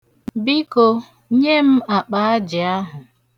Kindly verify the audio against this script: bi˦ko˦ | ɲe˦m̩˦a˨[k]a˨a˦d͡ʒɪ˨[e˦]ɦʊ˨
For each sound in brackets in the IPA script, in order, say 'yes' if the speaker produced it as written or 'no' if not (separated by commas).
no, no